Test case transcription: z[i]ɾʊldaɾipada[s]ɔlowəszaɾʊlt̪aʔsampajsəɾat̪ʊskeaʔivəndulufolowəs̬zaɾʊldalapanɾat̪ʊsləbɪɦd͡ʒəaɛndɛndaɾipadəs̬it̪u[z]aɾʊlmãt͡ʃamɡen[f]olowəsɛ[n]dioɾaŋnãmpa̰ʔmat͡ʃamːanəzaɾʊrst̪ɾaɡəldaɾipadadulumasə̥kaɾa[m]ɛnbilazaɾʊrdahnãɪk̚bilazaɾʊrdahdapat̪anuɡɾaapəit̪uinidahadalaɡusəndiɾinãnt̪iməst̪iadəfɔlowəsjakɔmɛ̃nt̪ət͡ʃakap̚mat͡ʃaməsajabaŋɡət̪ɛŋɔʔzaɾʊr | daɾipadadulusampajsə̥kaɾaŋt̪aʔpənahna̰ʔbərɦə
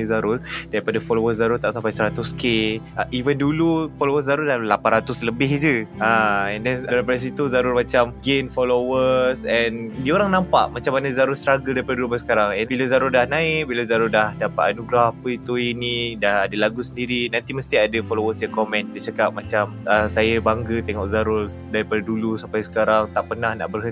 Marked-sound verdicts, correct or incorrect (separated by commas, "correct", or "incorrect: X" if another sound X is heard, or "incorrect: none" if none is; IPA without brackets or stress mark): incorrect: a, incorrect: f, correct, correct, correct, incorrect: ŋ